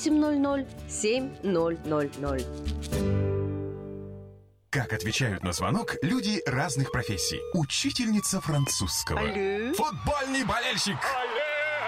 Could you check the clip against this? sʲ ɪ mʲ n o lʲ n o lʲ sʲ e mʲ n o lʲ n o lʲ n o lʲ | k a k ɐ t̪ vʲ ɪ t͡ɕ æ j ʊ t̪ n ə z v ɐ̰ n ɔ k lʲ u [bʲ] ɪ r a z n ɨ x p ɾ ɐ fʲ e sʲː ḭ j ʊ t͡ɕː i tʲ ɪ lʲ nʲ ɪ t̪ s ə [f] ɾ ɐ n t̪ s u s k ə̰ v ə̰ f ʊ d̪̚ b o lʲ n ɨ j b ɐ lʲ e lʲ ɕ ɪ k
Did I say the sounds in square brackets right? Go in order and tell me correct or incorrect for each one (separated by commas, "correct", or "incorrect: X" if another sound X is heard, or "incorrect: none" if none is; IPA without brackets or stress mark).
incorrect: dʲ, correct